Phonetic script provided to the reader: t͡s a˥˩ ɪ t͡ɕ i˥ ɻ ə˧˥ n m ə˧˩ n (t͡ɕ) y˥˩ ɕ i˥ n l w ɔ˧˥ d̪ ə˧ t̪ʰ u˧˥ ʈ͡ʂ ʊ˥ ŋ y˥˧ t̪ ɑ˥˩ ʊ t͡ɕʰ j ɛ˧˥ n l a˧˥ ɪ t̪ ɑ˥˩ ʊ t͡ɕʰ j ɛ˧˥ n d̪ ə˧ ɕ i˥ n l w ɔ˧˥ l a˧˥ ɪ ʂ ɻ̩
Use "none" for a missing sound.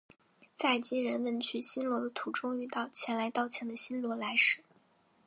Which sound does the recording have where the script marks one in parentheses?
t͡ɕʰ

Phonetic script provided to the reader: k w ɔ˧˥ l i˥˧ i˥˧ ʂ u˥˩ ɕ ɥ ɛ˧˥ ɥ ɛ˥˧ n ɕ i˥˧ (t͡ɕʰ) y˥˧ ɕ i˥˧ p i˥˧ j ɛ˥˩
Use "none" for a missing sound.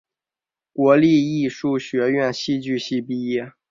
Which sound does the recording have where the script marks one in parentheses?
t͡ɕ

